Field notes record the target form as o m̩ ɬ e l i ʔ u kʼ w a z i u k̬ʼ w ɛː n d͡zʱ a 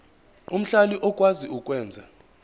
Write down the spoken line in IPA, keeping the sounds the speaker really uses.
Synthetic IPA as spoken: u m̩ ɬ a l i ʔ ɔ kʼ w a z i u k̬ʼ w ɛː n d͡zʱ a